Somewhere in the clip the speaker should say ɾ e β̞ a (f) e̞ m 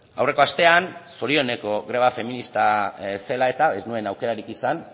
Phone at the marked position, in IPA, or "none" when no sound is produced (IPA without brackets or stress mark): f